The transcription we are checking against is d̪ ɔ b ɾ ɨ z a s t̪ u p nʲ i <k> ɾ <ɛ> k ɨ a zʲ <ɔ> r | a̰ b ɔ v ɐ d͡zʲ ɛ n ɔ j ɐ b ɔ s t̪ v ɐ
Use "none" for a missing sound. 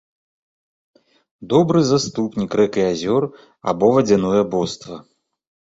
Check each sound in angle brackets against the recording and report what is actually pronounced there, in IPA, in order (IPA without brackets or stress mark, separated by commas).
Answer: k, ɛ, ɔ